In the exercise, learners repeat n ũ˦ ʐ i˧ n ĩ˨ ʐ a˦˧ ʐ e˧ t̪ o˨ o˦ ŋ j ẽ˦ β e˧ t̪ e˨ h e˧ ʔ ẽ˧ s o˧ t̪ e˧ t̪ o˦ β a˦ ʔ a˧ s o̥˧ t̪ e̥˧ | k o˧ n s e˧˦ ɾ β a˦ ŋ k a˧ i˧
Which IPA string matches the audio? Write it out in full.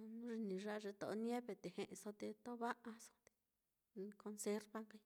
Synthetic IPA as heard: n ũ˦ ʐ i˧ n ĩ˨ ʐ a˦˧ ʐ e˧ t̪ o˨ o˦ n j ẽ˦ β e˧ t̪ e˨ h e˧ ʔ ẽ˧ s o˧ t̪ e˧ t̪ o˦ β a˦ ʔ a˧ s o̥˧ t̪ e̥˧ | k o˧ n s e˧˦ ɾ β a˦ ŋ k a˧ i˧